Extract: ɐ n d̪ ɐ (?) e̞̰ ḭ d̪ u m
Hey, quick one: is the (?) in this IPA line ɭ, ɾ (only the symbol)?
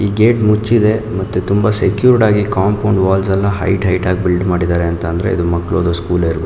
ɾ